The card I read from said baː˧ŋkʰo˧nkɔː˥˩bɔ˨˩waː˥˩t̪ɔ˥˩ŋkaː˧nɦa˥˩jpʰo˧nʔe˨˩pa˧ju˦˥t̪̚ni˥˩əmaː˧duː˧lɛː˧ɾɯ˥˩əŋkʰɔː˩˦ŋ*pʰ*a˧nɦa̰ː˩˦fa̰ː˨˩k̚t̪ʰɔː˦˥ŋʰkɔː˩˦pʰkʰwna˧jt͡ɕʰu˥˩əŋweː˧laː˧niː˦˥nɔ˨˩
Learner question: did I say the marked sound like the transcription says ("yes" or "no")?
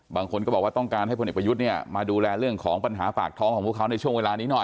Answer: no